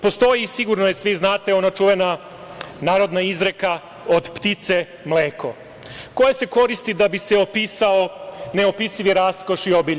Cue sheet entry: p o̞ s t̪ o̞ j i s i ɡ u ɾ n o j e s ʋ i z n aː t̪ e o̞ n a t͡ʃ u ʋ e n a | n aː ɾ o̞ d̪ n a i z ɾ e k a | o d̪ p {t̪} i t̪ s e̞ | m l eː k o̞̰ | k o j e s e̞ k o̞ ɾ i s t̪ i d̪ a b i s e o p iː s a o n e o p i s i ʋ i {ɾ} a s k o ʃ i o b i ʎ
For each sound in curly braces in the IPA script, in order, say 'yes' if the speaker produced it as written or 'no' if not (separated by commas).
yes, yes